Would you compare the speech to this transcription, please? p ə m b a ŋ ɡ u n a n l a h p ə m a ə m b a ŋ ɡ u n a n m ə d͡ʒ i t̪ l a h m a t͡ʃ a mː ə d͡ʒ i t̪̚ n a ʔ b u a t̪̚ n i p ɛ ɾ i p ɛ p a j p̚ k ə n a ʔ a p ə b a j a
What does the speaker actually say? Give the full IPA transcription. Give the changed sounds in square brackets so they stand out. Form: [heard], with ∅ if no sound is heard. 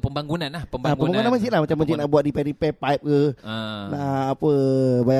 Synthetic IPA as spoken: p ə m b a ŋ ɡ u n a n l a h p ə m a ə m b a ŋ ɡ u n a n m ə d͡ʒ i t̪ l a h m a t͡ʃ a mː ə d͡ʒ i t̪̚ n a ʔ b u a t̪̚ [d] i p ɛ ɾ i p ɛ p a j p̚ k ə n a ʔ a p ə b a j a